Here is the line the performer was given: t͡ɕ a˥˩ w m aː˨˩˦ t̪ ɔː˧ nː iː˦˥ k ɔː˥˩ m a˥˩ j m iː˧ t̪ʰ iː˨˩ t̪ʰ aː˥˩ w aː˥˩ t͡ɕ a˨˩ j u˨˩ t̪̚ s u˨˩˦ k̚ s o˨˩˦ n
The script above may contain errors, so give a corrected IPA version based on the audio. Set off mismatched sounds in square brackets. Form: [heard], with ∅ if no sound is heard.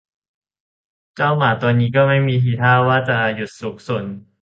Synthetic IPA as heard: t͡ɕ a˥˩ w m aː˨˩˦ t̪ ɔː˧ nː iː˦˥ k ɔː˥˩ m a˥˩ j m iː˧ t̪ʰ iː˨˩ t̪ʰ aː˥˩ w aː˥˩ t͡ɕ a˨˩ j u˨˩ t̪̚ s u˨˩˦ k̚ s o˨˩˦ n